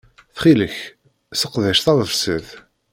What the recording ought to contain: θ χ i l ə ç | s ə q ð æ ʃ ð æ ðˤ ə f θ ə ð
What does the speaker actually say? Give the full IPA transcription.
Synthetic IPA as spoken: θ χ i l ə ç | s ə q ð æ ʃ θ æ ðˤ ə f s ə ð